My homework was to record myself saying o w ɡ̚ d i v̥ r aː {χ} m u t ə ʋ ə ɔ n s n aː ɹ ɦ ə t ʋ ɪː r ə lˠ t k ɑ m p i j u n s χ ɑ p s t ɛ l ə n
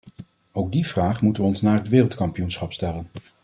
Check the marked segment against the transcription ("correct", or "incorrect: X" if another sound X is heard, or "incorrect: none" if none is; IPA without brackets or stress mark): correct